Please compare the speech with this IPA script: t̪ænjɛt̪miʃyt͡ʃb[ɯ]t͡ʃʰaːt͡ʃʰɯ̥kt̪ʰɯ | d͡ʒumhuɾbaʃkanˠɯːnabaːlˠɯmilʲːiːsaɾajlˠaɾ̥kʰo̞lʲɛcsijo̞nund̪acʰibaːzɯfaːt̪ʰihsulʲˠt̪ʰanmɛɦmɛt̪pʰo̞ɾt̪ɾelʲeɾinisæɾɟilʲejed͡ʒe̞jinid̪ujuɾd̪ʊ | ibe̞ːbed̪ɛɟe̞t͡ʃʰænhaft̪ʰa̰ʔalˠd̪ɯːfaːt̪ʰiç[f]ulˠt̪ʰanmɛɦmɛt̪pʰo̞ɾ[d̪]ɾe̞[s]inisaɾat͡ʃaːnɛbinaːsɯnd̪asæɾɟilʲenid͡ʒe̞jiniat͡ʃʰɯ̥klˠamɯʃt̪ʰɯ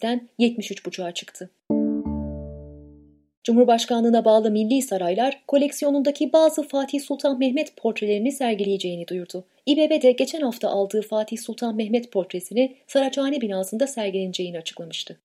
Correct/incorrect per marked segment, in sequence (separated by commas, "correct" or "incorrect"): incorrect, incorrect, incorrect, correct